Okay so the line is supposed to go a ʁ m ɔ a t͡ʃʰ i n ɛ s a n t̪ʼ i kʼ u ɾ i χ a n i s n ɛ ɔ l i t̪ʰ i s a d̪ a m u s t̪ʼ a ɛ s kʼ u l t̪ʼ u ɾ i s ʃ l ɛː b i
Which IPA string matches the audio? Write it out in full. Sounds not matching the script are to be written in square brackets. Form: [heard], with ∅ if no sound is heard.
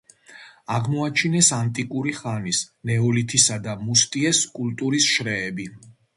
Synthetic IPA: a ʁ m ɔ a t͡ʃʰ i n ɛ s a n t̪ʼ i kʼ u ɾ i χ a n i s n ɛ ɔ l i t̪ʰ i s a d̪ a m u s t̪ʼ [i] ɛ s kʼ u l t̪ʼ u ɾ i s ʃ [ɾ] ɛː b i